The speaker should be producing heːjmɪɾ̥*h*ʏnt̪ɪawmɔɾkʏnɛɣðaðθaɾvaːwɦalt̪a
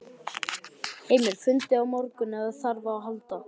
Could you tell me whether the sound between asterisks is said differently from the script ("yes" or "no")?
yes